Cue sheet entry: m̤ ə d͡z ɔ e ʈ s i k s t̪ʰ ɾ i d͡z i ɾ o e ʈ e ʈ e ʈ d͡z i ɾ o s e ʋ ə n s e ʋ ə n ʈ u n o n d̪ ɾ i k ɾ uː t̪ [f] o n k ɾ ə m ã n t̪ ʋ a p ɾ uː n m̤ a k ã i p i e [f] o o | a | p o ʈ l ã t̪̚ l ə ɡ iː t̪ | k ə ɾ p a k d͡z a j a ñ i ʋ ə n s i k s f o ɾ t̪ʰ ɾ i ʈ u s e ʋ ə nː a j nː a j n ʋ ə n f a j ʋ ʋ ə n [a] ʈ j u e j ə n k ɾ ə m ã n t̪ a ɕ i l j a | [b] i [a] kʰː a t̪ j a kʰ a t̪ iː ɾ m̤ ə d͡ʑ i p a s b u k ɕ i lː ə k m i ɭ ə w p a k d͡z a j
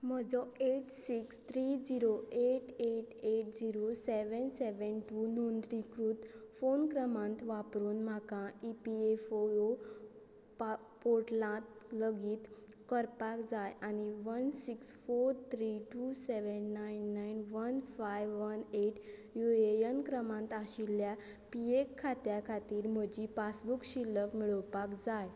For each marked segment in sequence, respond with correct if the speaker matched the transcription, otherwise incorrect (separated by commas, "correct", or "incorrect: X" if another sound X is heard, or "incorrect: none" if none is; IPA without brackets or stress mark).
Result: correct, correct, incorrect: e, incorrect: p, incorrect: e